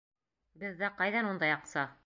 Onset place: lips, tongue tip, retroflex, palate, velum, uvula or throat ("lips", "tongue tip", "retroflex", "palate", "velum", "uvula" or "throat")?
lips